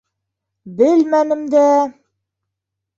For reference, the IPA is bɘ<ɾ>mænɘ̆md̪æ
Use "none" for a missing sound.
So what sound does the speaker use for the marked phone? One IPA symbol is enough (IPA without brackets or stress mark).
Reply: l